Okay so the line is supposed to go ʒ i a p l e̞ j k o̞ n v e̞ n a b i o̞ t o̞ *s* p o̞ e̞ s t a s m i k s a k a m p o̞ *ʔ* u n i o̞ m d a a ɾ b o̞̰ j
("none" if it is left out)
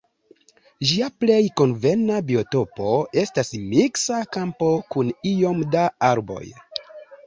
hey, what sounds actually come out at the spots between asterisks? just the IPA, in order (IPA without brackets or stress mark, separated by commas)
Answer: none, k